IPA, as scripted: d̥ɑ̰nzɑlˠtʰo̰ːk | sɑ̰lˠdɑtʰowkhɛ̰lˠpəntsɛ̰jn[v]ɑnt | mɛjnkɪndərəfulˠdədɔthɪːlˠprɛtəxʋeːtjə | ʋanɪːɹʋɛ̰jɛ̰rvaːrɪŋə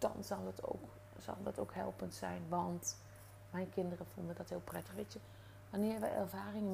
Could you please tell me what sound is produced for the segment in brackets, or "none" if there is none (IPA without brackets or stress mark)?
ʋ